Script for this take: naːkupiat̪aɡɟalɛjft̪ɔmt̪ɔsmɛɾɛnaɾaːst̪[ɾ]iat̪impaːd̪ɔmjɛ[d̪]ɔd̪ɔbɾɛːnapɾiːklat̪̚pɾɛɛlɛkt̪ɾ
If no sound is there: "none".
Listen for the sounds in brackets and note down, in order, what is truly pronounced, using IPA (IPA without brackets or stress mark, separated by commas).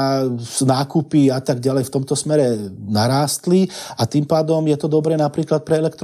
l, t̪